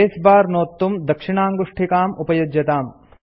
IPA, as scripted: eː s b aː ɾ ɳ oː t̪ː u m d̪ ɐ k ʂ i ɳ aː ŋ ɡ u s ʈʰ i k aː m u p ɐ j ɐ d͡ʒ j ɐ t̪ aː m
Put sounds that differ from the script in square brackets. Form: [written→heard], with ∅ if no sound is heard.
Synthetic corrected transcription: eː s b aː ɾ [ɳ→n] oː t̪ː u m d̪ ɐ k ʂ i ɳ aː ŋ ɡ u [s→ʂ] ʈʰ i k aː m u p ɐ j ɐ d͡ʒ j ɐ t̪ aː m